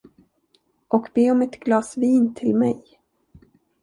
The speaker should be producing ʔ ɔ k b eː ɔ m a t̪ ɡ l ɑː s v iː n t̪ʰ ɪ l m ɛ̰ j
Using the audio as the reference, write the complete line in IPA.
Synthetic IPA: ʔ ɔ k b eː ɔ m ɛ t̪ ɡ l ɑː s v iː n t̪ʰ ɪ l m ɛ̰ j

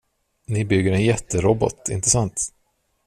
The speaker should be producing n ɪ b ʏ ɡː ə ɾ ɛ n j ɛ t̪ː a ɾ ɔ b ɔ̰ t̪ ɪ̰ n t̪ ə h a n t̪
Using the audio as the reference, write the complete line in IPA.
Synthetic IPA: n ɪ b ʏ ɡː ə ɾ ɛ n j ɛ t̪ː ə ɾ ɔ b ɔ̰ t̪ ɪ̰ n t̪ ə s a n t̪

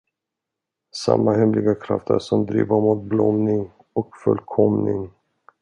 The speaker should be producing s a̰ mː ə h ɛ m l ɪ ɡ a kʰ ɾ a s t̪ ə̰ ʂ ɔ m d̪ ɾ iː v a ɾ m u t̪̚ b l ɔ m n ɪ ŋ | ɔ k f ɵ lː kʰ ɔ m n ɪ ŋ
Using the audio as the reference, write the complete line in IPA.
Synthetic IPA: s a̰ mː a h ɛ m l ɪ ɡ a kʰ ɾ a f t̪ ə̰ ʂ ɔ m d̪ ɾ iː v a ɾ m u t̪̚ b l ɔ m n ɪ ŋ | ɔ k f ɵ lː kʰ ɔ m n ɪ ŋ

